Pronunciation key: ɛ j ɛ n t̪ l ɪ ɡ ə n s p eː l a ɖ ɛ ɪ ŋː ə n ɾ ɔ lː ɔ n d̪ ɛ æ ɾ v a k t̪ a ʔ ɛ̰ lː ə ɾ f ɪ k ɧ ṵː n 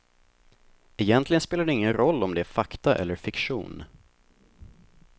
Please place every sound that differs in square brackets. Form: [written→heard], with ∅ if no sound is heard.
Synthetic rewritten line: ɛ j ɛ n t̪ l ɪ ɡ ə n s p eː l a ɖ ɛ ɪ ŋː ə n ɾ ɔ lː ɔ [n→m] d̪ ɛ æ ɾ [v→f] a k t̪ a ʔ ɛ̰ lː ə ɾ f ɪ k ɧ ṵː n